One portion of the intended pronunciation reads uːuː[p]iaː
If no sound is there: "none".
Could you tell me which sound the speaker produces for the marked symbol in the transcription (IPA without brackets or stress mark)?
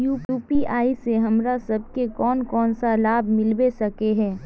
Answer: p